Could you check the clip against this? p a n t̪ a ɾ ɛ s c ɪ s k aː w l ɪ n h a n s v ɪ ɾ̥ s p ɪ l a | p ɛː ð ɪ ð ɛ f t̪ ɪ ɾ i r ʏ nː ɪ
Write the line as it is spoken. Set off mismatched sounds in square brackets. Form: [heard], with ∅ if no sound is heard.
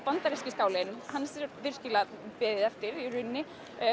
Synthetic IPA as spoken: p a n t̪ a ɾ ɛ s c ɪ s k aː w l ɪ n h a n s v ɪ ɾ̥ s [c] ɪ l a | p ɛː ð ɪ ð ɛ f t̪ ɪ ɾ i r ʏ nː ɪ